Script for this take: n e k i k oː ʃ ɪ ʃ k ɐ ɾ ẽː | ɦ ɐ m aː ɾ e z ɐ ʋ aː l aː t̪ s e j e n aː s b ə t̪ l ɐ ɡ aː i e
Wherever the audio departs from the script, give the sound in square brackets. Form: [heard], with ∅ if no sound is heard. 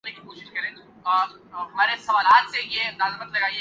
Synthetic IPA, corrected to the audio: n e k i k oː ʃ ɪ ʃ k ɐ ɾ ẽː | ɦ ɐ m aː ɾ e [s] ɐ ʋ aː l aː t̪ s e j e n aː [z] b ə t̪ l ɐ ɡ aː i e